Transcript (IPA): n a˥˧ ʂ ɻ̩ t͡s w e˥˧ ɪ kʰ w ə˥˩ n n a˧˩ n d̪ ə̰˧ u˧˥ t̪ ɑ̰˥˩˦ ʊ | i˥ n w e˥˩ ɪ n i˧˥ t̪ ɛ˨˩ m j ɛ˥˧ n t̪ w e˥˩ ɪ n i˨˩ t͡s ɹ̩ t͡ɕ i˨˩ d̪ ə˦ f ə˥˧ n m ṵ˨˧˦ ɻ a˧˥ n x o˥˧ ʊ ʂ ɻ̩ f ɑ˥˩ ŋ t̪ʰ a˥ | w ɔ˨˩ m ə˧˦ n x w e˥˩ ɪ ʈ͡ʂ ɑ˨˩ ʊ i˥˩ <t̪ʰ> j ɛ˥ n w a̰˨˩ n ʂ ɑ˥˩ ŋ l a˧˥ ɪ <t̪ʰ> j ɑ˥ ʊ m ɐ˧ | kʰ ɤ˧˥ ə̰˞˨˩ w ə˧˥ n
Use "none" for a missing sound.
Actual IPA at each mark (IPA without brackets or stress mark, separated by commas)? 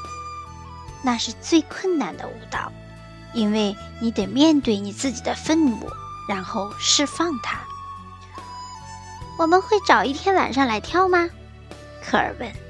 t̪ʰ, t̪ʰ